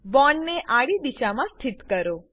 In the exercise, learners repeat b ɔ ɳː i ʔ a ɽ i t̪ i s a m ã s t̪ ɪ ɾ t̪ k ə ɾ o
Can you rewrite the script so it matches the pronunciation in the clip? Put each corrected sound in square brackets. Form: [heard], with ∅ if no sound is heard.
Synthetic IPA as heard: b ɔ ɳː [e] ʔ a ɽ i [d̪] i [ʃ] a m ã s [t̪ʰ] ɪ [∅] t̪ k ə ɾ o